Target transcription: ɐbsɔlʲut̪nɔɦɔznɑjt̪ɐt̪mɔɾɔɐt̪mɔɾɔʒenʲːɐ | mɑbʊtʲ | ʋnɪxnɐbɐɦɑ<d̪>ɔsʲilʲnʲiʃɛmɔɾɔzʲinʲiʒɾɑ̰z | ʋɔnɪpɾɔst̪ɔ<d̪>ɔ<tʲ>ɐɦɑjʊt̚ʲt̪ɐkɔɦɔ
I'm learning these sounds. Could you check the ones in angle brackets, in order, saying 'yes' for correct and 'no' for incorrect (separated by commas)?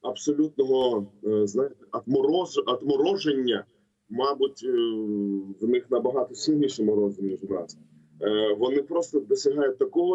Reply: no, yes, no